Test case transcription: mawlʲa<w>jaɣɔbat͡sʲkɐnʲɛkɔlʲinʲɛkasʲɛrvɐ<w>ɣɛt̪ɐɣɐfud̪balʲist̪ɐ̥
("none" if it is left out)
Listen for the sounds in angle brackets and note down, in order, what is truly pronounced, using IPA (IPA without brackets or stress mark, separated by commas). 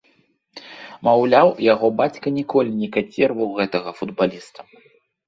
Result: w, w